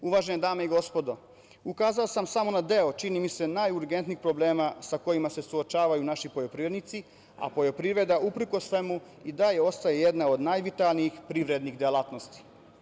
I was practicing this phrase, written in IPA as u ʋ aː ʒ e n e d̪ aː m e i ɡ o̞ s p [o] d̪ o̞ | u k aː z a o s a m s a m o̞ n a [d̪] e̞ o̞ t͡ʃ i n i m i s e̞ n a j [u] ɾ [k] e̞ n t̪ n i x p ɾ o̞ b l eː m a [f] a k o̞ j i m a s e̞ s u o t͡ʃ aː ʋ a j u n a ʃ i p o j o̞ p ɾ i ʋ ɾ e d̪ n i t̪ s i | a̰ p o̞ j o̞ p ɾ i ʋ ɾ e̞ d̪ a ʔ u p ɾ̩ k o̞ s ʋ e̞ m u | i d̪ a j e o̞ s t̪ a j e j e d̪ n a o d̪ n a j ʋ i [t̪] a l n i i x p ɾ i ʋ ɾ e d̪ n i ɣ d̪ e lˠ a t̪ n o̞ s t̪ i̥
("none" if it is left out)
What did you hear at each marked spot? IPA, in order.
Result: o, d̪, u, ɡ, s, t̪

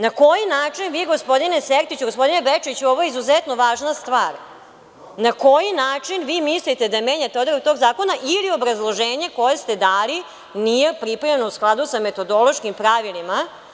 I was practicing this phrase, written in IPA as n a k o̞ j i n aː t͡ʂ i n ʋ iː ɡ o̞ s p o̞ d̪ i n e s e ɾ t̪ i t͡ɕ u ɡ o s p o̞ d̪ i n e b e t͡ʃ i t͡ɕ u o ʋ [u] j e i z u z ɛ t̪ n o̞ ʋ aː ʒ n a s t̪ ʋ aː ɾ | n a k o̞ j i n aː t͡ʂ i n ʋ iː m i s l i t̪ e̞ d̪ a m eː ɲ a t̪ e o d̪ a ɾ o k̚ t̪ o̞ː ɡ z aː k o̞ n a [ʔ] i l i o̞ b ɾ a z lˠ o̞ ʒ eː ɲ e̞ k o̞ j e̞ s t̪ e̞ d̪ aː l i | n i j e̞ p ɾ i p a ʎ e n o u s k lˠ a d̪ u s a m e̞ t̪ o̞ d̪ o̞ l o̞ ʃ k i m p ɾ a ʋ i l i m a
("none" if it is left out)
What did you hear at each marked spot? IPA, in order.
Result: o, ʔ

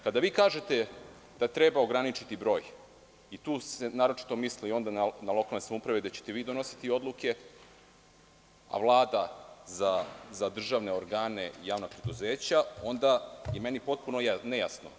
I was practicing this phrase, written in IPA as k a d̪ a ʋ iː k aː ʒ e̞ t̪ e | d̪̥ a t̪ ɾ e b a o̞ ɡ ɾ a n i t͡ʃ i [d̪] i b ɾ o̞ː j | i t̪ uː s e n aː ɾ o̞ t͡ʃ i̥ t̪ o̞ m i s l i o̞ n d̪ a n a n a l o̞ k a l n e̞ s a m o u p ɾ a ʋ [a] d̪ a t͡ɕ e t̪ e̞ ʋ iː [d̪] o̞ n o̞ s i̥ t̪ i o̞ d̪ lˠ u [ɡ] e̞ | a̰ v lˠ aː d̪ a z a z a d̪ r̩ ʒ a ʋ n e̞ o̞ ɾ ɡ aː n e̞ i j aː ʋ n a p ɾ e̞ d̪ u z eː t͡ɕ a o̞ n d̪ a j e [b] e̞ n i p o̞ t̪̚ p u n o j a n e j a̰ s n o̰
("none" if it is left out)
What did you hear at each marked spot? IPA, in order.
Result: t̪, e, d̪, k, m

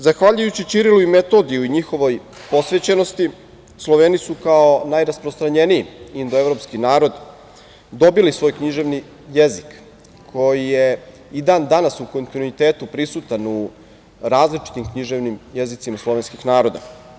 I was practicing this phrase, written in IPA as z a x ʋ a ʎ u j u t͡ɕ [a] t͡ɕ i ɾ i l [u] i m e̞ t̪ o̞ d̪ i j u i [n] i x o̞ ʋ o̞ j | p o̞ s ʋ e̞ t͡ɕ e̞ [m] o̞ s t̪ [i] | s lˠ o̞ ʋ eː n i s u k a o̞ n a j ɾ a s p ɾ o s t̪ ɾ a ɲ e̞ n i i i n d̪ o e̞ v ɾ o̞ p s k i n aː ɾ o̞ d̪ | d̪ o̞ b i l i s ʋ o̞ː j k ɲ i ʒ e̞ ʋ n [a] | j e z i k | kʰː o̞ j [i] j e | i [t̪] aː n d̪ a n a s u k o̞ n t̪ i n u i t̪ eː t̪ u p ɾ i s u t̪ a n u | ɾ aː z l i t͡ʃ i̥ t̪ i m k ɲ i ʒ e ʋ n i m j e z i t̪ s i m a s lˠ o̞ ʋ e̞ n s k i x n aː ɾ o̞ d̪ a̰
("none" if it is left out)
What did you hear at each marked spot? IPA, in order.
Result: i, u, ɲ, n, i, i, i, d̪

